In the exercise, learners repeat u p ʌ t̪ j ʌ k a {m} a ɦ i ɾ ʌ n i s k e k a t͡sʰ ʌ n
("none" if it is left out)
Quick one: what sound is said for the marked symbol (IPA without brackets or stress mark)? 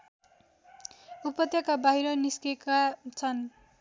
b